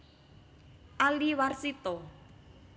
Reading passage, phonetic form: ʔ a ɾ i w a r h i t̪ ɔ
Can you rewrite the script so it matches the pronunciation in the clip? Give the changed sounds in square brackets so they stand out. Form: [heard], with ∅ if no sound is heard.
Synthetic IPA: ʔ a [l] i w a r [s] i t̪ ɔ